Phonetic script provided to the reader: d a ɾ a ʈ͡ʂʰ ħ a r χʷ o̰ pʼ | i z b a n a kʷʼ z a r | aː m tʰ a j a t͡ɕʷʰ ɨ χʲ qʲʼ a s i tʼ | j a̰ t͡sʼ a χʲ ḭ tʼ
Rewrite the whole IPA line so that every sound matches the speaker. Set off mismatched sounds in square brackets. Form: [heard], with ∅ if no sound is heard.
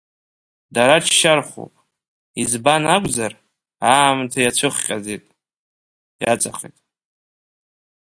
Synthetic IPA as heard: d a ɾ a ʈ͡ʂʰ [ʃ] a r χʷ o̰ pʼ | i z b a n a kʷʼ z a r | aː m tʰ a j a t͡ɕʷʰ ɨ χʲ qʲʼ a [z] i tʼ | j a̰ t͡sʼ a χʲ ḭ tʼ